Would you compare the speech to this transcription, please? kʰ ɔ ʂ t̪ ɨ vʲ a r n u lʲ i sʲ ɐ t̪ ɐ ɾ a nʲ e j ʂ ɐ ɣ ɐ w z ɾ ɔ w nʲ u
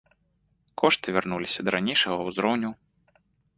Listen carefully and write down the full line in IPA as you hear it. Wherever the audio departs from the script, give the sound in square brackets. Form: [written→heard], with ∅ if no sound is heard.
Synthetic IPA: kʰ ɔ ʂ t̪ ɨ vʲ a r n u lʲ i sʲ ɐ [t̪→d̪] ɐ ɾ a nʲ e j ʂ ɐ ɣ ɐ w z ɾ ɔ w nʲ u